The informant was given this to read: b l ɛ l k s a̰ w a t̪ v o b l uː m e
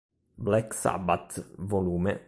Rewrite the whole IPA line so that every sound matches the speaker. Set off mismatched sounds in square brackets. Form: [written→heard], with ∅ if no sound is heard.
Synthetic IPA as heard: b l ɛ [l→∅] k s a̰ [w→b] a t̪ v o [b→∅] l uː m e